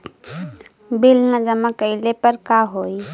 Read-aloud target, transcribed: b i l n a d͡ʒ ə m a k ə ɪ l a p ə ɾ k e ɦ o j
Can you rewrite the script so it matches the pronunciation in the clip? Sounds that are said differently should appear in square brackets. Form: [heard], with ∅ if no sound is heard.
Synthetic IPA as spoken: b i l n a d͡ʒ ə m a k ə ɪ l [e] p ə ɾ k [a] ɦ o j